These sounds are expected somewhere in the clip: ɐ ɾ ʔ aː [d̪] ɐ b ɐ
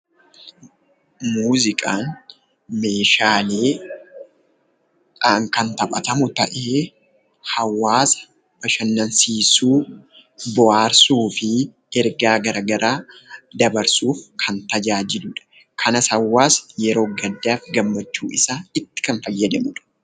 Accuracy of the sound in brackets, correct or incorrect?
correct